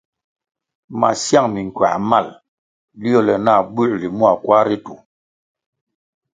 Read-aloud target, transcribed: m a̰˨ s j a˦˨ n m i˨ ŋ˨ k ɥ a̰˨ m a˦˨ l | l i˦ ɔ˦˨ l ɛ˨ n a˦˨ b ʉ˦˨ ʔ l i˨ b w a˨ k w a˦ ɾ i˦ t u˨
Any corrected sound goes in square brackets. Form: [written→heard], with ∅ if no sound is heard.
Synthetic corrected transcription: m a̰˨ s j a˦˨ [n→ŋ] m i˨ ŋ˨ k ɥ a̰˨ m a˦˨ l | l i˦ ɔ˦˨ l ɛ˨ n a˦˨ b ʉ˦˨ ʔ l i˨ [b→m] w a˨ k w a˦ ɾ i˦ t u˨